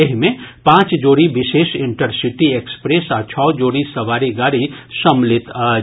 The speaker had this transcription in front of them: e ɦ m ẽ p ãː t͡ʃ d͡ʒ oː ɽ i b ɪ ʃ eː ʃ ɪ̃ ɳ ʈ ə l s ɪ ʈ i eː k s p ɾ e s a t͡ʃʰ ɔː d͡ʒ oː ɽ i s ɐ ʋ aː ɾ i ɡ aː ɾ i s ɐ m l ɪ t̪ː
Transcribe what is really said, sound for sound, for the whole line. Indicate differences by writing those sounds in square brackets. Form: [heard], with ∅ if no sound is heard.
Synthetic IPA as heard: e ɦ m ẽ p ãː t͡ʃ d͡ʒ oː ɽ i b ɪ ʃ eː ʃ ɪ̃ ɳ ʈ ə [ɾ] s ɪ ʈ i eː k s p ɾ e s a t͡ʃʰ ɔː d͡ʒ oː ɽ i s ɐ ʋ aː ɾ i ɡ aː ɾ i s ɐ m l ɪ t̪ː